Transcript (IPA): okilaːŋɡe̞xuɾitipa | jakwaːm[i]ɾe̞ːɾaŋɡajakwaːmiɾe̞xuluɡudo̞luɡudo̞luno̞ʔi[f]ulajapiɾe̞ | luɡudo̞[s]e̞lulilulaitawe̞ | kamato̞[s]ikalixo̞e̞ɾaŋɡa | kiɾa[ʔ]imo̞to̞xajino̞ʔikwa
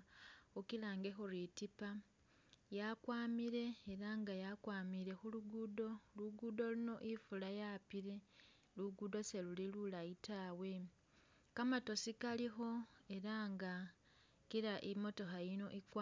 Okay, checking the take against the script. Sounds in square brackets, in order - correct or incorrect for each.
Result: correct, correct, correct, correct, correct

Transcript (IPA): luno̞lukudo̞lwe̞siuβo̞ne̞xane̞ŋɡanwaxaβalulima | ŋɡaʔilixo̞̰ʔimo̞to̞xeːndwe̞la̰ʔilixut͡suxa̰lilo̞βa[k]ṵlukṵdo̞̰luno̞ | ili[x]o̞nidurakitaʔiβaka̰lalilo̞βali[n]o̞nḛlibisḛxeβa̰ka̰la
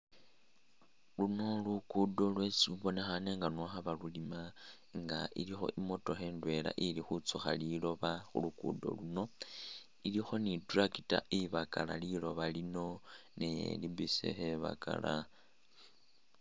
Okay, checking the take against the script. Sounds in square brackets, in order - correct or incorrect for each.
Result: incorrect, correct, correct

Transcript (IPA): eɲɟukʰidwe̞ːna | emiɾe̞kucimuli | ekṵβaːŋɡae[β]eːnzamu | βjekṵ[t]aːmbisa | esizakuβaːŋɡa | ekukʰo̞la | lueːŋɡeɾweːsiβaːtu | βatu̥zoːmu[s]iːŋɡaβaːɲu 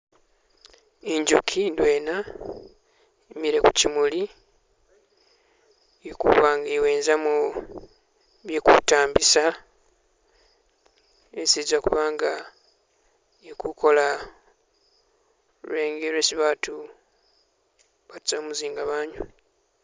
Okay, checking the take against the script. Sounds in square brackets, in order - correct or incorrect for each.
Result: incorrect, correct, incorrect

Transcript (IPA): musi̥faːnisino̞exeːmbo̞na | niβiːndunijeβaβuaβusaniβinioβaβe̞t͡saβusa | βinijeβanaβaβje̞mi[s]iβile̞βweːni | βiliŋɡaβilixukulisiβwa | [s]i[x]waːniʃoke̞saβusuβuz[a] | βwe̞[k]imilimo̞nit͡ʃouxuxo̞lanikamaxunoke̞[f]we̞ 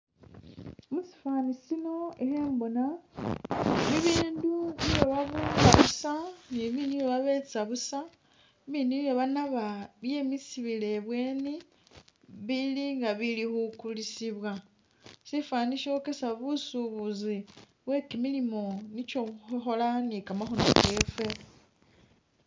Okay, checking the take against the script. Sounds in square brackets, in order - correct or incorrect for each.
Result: correct, correct, incorrect, incorrect, correct, correct

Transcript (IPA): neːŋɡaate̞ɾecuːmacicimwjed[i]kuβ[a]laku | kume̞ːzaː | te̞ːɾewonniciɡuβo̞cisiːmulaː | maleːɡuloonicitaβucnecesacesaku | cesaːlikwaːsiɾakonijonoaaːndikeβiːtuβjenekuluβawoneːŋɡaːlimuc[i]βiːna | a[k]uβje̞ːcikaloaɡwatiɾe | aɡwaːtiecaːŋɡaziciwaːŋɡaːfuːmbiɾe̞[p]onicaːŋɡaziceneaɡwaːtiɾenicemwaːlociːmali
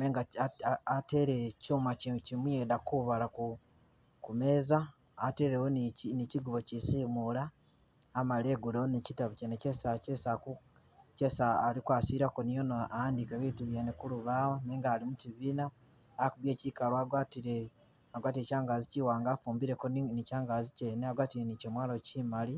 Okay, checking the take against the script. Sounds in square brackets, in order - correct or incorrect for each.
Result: incorrect, correct, correct, correct, incorrect

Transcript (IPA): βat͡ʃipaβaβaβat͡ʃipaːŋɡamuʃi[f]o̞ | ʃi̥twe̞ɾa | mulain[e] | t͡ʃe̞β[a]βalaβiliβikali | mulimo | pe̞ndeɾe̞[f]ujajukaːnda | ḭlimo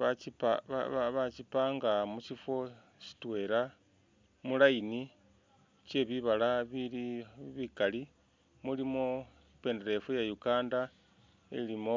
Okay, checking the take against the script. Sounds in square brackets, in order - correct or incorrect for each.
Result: correct, incorrect, incorrect, correct

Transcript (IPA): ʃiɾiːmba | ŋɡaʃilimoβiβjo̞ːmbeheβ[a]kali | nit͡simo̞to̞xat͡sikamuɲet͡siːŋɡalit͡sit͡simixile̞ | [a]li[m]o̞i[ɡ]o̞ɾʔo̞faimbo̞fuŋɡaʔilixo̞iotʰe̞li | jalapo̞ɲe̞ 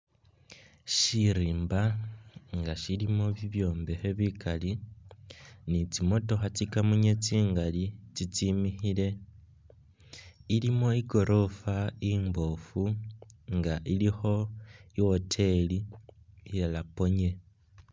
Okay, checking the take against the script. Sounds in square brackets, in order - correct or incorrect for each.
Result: incorrect, incorrect, correct, correct

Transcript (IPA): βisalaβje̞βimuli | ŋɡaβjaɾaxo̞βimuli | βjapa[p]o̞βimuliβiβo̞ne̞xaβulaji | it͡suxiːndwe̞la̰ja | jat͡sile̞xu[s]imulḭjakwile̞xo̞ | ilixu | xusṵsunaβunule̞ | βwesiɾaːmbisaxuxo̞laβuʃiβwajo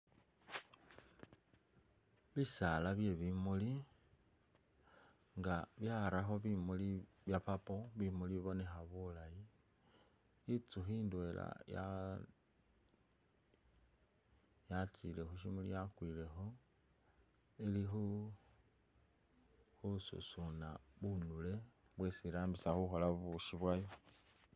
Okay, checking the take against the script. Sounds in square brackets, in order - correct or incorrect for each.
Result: correct, incorrect

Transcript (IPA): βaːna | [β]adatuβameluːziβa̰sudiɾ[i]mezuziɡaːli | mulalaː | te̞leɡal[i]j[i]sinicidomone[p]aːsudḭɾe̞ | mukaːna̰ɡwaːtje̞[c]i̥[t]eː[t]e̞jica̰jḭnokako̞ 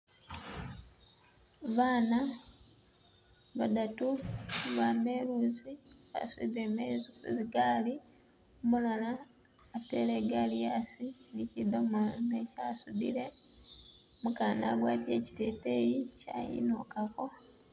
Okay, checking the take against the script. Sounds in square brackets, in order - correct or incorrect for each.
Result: correct, incorrect, correct, incorrect, incorrect, correct, correct, correct

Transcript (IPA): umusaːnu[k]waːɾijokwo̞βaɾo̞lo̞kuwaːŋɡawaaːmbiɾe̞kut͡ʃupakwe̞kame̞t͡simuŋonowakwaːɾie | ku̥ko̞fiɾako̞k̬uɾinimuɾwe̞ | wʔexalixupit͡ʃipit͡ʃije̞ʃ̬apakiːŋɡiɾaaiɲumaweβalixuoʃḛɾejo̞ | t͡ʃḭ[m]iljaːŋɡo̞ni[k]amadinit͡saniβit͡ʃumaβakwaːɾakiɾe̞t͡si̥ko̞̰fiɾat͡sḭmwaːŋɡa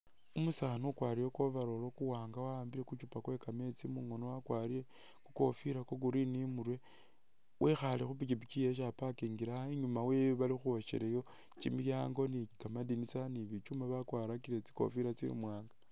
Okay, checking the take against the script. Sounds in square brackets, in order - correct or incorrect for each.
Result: correct, correct, correct

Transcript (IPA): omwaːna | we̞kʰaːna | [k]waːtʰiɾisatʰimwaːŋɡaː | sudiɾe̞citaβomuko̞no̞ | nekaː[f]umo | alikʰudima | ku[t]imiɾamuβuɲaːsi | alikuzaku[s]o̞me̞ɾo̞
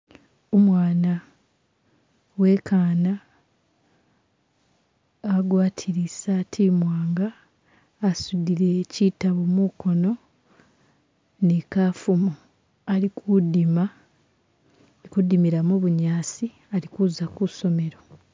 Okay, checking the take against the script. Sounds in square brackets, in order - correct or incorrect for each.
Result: incorrect, correct, incorrect, correct

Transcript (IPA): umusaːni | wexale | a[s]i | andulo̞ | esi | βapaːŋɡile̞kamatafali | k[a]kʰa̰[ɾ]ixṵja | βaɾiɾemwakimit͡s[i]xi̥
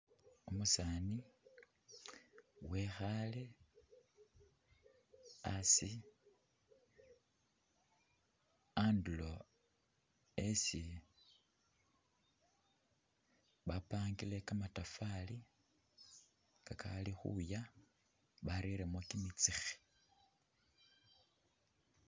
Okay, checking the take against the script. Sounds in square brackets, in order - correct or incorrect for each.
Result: correct, correct, incorrect, correct

